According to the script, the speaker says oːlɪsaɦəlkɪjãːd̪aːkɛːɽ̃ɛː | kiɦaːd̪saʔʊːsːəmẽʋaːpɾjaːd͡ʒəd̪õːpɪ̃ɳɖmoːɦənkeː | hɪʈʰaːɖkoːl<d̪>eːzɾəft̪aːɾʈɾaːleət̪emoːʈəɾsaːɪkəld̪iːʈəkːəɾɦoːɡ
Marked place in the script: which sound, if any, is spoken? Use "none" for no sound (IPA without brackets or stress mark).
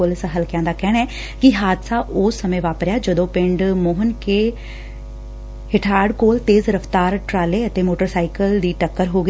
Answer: t̪